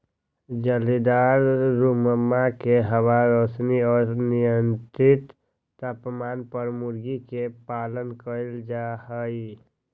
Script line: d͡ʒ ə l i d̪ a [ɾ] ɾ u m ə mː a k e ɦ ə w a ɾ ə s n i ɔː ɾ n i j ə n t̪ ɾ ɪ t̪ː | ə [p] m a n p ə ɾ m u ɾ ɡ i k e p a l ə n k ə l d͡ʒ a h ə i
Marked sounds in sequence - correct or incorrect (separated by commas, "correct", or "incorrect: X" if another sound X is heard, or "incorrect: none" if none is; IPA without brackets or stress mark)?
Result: correct, correct